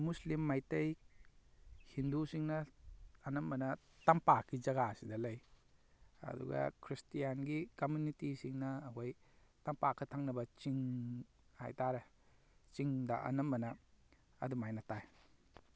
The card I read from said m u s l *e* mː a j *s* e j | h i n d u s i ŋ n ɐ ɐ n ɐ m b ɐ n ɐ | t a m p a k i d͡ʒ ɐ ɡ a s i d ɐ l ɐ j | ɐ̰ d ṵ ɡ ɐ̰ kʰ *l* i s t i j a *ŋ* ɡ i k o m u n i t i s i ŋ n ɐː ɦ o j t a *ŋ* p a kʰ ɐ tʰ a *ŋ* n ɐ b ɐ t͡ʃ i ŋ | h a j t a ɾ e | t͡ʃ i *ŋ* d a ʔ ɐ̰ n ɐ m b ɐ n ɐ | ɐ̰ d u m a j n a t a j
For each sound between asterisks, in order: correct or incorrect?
incorrect, incorrect, incorrect, incorrect, incorrect, correct, correct

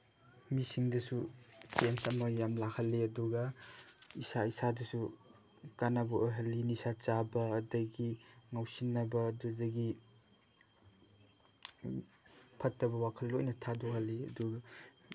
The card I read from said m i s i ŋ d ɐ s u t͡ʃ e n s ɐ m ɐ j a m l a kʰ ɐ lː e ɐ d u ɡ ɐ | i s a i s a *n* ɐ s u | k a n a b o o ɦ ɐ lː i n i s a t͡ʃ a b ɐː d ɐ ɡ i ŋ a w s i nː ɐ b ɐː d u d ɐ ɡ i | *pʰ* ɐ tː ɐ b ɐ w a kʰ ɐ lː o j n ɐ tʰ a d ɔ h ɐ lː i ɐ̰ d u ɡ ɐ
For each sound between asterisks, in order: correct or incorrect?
incorrect, correct

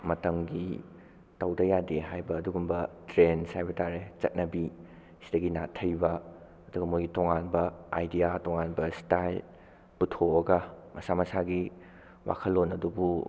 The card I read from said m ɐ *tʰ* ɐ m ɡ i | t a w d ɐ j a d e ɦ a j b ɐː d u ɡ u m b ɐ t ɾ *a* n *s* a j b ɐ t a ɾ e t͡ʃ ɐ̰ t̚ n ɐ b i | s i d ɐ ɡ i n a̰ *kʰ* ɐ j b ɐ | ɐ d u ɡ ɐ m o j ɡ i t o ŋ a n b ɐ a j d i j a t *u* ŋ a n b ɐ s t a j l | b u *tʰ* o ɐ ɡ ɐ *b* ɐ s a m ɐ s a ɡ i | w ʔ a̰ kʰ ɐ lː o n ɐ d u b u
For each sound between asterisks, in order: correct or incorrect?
incorrect, incorrect, correct, incorrect, incorrect, correct, incorrect

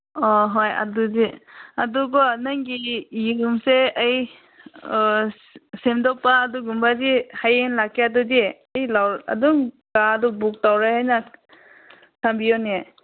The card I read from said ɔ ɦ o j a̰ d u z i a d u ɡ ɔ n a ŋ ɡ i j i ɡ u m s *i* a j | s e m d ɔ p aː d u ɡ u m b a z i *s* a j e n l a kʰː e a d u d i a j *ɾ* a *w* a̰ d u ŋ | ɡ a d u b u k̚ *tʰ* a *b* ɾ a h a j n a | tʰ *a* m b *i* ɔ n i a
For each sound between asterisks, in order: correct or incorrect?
incorrect, incorrect, incorrect, correct, incorrect, incorrect, correct, correct

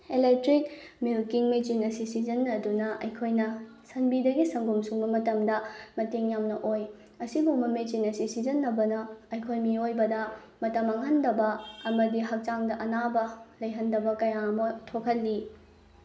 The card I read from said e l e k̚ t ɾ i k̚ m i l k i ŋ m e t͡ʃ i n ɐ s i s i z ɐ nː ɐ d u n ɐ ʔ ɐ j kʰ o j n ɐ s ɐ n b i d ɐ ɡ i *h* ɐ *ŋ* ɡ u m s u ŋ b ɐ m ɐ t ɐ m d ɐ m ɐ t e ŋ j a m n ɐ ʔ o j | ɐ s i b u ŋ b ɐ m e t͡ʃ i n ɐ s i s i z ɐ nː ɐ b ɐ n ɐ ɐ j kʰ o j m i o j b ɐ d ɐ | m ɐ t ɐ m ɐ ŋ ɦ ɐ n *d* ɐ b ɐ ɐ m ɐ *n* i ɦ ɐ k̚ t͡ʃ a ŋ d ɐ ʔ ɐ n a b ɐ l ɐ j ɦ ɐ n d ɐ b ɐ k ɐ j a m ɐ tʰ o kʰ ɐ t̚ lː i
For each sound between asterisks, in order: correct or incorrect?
incorrect, correct, correct, incorrect

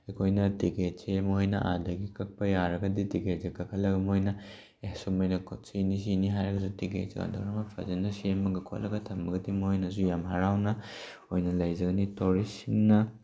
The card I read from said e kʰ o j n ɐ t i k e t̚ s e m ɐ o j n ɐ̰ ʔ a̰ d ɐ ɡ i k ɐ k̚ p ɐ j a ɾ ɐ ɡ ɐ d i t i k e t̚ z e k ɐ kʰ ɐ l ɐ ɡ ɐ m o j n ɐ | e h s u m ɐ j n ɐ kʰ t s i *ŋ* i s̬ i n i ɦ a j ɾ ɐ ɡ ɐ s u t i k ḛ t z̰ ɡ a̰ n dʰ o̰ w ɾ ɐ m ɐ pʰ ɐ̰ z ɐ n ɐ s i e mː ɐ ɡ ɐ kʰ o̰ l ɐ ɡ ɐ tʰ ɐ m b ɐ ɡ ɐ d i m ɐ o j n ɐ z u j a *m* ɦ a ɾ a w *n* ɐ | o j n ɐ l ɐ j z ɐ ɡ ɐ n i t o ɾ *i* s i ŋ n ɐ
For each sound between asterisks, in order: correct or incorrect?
incorrect, correct, correct, correct

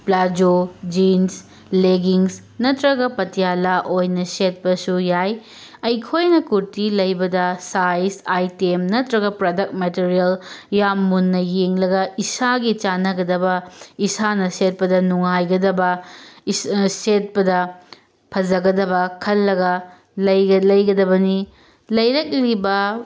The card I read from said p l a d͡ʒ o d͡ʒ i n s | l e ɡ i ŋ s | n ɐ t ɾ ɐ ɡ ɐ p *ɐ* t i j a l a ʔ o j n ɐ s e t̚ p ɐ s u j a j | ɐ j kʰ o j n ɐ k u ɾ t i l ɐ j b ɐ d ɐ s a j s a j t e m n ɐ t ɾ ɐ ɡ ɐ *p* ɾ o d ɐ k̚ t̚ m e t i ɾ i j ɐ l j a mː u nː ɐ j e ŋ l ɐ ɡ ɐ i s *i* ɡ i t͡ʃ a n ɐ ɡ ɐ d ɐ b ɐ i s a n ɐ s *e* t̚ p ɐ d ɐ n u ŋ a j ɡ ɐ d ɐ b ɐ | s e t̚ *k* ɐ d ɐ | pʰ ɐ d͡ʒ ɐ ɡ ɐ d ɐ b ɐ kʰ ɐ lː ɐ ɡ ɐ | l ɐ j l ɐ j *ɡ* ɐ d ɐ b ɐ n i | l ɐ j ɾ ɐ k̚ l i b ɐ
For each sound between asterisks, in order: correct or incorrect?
correct, correct, incorrect, correct, incorrect, correct

